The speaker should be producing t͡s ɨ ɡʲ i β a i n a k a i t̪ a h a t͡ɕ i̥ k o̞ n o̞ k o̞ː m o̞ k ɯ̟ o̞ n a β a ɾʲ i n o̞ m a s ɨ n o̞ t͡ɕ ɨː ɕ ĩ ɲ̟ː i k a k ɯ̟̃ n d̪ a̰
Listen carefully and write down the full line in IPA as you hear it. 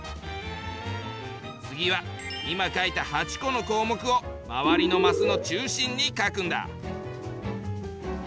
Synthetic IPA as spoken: t͡s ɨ ɡʲ i β a i m a k a i t̪ a h a t͡ɕ i̥ k o̞ n o̞ k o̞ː m o̞ k ɯ̟ o̞ m a β a ɾʲ i n o̞ m a s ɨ n o̞ t͡ɕ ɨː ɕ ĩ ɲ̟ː i k a k ɯ̟̃ n d̪ a̰

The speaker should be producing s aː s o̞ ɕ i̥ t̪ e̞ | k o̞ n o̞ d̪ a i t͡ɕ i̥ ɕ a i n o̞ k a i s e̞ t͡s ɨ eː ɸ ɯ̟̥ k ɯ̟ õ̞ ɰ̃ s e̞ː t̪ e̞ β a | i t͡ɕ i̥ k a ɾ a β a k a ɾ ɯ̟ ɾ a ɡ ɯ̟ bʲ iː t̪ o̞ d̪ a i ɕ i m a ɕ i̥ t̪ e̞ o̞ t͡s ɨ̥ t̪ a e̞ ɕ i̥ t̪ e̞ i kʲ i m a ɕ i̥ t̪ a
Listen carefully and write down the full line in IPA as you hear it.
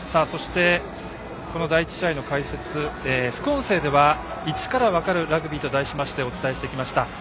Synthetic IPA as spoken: s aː s o̞ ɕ i̥ t̪ e̞ | k o̞ n o̞ d̪ a i t͡ɕ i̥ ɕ a i n o̞ k a i s e̞ t͡s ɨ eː ɸ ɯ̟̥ k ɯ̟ õ̞ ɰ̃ s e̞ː d̪ e̞ β a | i t͡ɕ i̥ k a ɾ a β a k a ɾ ɯ̟ ɾ a ɡ ɯ̟ bʲ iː t̪ o̞ d̪ a i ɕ i m a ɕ i̥ t̪ e̞ o̞ t͡s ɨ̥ t̪ a e̞ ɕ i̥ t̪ e̞ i kʲ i m a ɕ i̥ t̪ a

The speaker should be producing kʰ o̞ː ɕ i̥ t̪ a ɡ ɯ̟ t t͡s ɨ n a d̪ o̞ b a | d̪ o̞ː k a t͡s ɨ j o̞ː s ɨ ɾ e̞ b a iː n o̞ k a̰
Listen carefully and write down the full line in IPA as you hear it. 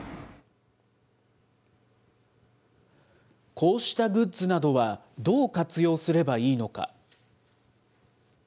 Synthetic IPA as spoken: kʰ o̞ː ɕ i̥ t̪ a ɡ ɯ̟ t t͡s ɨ n a d̪ o̞ β a | d̪ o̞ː k a t͡s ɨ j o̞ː s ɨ ɾ e̞ b a iː n o̞ k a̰

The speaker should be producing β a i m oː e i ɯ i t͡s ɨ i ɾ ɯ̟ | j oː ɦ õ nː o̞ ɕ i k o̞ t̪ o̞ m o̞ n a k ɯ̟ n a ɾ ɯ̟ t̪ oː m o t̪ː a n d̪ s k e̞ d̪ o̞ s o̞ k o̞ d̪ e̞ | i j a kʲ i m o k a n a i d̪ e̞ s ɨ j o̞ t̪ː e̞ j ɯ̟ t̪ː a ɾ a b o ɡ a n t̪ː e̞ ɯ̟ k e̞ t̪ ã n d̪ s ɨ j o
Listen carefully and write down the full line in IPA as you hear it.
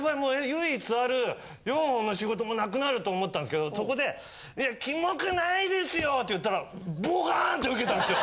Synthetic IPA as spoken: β a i m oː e j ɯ i t͡s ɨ a ɾ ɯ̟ | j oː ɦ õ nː o̞ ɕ i ɡ o̞ t̪ o̞ m o̞ n a k ɯ̟ n a ɾ ɯ̟ t̪ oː m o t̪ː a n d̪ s k e̞ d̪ o̞ s o̞ k o̞ d̪ e̞ | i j a kʲ i m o k a n a i d̪ e̞ s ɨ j o̞ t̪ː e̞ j ɯ̟ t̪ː a ɾ a b o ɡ a n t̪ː e̞ ɯ̟ k e̞ t̪ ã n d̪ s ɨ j o

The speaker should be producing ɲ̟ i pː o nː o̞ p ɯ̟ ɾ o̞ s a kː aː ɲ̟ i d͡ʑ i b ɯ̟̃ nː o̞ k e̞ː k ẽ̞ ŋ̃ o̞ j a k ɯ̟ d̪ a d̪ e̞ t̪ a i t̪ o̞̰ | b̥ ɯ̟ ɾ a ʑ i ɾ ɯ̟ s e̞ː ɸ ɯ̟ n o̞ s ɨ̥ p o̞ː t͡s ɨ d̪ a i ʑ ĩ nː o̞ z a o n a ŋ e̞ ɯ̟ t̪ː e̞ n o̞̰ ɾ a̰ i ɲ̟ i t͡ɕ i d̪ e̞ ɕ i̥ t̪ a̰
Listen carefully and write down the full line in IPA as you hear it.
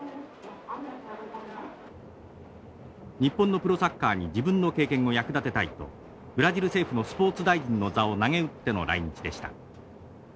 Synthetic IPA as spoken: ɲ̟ i pː o nː o̞ p ɯ̟ ɾ o̞ s a kː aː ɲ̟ i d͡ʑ i b ɯ̟̃ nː o̞ k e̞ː k ẽ̞ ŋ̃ o̞ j a k ɯ̟ d̪ a t̪ e̞ t̪ a i t̪ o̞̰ | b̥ ɯ̟ ɾ a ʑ i ɾ ɯ̟ s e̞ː ɸ ɯ̟ n o̞ s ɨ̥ p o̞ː t͡s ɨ d̪ a i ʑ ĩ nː o̞ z a o n a ŋ e̞ ɯ̟ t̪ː e̞ n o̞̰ ɾ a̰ i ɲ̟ i t͡ɕ i d̪ e̞ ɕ i̥ t̪ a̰

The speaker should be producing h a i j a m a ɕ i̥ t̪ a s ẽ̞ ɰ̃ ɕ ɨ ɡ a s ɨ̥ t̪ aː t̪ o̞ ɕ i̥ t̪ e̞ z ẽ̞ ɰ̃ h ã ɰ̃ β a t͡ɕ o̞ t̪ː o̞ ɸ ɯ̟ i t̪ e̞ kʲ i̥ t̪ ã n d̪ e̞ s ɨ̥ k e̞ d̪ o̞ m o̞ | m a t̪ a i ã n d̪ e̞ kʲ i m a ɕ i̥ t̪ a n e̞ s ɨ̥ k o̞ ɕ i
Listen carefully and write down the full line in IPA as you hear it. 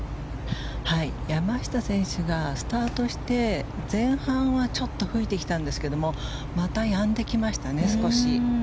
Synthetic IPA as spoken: h a i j a m a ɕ i̥ t̪ a s ẽ̞ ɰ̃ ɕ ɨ ɡ a s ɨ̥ t̪ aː t̪ o̞ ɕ i̥ t̪ e̞ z ẽ̞ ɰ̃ h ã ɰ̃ β a t͡ɕ o̞ t̪ː o̞ ɸ ɯ̟ i t̪ e̞ kʲ i̥ t̪ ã n d̪ e̞ s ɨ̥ k e̞ d̪ o̞ m o̞ | m a t̪ a j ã n d̪ e̞ kʲ i m a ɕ i̥ t̪ a n e̞ s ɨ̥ k o̞ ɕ i

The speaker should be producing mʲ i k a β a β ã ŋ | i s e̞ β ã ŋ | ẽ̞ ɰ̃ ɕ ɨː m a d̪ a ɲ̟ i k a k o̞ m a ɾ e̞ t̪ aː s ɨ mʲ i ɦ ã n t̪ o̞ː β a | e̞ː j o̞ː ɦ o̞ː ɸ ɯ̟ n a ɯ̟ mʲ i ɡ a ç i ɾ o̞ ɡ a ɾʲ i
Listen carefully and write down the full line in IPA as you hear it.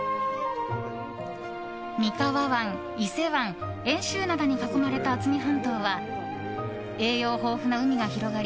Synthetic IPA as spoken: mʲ i k a β a β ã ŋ | i s e̞ β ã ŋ | ẽ̞ ɰ̃ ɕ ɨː n a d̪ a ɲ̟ i k a k o̞ m a ɾ e̞ t̪ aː t͡s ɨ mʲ i ɦ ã n t̪ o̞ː β a | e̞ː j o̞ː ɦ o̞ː ɸ ɯ̟ n a ɯ̟ mʲ i ɡ a ç i ɾ o̞ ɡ a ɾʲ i

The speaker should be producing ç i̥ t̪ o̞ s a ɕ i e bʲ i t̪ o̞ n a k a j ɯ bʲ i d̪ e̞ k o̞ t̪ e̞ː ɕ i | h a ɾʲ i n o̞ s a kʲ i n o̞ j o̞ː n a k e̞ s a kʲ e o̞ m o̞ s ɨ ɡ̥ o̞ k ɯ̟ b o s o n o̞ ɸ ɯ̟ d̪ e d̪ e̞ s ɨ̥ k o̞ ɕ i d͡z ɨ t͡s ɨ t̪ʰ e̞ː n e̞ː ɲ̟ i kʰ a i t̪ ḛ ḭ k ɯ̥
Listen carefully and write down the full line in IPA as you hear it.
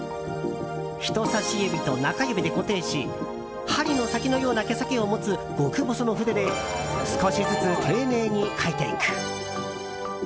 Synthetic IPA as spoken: ç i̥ t̪ o̞ s a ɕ i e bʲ i t̪ o̞ n a k a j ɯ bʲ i d̪ e̞ k o̞ t̪ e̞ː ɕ i | h a ɾʲ i n o̞ s a kʲ i n o̞ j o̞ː n a k e̞ s a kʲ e o̞ m o̞ t͡s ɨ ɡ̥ o̞ k ɯ̟ b o s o n o̞ ɸ ɯ̟ d̪ e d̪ e̞ s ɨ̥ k o̞ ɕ i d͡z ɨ t͡s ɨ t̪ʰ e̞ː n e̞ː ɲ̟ i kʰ a i t̪ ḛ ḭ k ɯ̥

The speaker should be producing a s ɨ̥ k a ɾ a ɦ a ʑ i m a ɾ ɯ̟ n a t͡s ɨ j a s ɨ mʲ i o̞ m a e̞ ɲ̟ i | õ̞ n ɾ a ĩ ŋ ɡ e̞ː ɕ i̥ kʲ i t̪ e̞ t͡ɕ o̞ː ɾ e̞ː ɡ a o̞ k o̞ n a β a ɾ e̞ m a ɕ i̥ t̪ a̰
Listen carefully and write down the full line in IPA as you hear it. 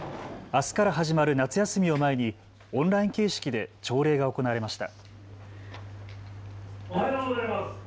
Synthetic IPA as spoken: a s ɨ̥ k a ɾ a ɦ a ʑ i m a ɾ ɯ̟ n a t͡s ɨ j a s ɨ mʲ i o̞ m a e̞ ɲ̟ i | õ̞ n ɾ a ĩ ŋ k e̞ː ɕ i̥ kʲ i d̪ e̞ t͡ɕ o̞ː ɾ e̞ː ɡ a o̞ k o̞ n a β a ɾ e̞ m a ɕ i̥ t̪ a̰

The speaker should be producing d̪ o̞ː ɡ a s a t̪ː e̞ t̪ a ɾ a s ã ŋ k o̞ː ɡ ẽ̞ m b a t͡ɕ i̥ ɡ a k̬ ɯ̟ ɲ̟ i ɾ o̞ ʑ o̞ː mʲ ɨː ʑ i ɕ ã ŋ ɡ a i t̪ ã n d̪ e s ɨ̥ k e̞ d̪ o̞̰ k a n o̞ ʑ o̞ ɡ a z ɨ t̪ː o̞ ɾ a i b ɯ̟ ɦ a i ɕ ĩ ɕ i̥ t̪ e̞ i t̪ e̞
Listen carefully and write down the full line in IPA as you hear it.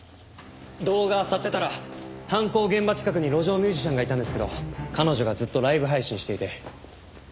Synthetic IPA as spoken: d̪ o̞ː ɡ a s a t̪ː e̞ t̪ a ɾ a h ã ŋ k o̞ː ɡ ẽ̞ m b a t͡ɕ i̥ k a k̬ ɯ̟ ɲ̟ i ɾ o̞ ʑ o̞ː mʲ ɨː ʑ i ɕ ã ŋ ɡ a i t̪ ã n d̪ e s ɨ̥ k e̞ d̪ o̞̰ k a n o̞ ʑ o̞ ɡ a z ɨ t̪ː o̞ ɾ a i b ɯ̟ ɦ a i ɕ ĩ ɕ i̥ t̪ e̞ i t̪ e̞

